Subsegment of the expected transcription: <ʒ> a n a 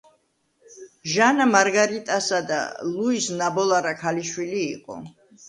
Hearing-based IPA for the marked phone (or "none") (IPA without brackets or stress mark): ʒ